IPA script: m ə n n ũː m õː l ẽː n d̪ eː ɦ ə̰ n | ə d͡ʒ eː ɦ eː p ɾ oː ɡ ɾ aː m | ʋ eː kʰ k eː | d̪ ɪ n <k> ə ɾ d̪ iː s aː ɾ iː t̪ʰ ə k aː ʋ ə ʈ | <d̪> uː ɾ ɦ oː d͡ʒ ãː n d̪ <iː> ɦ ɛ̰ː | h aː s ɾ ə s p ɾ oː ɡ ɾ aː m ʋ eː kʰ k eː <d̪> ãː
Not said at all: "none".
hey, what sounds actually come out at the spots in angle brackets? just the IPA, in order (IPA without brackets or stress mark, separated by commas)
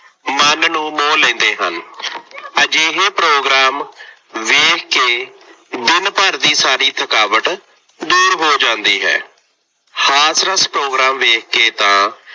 p, d̪, iː, t̪